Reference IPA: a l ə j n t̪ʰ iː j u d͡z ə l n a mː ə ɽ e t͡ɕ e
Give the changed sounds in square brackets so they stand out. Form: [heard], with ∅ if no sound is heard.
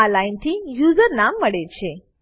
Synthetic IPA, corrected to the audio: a l [a] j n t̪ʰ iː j u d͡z ə [ɾ] n a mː ə ɽ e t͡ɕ e